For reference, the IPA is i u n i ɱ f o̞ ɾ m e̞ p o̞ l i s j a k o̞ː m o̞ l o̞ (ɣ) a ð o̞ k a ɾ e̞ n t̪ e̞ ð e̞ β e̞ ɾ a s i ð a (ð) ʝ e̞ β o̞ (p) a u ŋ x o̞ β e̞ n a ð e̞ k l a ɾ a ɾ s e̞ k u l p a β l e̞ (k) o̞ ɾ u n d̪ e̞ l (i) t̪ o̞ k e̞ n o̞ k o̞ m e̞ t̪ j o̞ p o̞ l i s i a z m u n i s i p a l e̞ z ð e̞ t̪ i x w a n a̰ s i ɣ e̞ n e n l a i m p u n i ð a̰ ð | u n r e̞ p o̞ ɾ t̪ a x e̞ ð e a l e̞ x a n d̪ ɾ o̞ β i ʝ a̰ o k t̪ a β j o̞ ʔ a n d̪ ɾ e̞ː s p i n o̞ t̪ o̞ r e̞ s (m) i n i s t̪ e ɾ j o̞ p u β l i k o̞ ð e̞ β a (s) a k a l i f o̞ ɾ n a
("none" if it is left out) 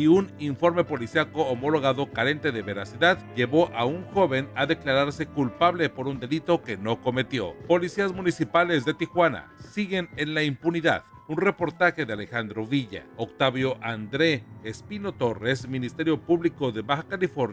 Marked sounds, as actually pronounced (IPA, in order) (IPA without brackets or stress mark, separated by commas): ɣ, ð, ʔ, p, i, m, x